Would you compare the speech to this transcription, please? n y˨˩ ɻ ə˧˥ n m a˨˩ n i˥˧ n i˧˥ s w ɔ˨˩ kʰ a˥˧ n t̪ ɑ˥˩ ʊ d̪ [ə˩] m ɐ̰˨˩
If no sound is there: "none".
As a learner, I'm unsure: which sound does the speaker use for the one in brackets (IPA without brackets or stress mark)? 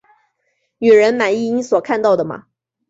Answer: ə˩